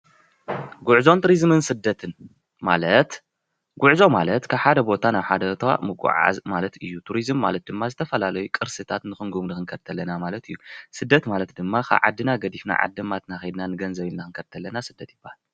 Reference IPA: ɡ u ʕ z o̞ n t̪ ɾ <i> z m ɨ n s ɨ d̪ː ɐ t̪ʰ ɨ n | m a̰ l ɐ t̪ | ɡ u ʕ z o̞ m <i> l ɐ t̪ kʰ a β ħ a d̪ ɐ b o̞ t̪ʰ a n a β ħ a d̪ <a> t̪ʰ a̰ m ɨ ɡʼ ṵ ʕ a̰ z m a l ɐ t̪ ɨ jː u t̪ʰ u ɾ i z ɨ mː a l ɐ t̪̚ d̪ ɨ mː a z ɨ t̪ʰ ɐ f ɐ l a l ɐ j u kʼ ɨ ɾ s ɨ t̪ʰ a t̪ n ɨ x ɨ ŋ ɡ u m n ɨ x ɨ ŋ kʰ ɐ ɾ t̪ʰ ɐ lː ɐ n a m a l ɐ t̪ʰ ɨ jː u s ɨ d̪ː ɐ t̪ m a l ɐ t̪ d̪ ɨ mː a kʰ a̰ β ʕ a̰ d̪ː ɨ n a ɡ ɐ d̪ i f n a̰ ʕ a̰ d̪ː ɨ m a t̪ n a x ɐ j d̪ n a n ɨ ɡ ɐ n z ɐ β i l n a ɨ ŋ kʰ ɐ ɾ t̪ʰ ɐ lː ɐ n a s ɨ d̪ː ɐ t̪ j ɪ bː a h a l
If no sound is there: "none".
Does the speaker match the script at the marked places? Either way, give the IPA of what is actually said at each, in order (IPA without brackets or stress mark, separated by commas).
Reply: i, a, ɐ